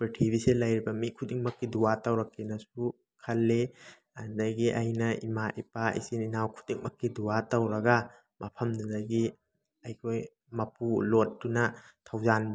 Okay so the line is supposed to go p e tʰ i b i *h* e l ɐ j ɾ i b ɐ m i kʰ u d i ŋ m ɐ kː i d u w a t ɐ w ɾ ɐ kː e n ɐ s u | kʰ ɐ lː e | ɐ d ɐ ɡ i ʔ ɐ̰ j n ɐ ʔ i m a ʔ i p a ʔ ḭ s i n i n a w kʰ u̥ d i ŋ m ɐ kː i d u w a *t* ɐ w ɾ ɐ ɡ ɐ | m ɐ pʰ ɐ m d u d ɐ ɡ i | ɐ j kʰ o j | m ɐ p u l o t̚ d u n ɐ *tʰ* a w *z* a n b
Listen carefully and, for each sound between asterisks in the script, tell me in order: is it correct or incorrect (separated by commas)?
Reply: incorrect, correct, correct, correct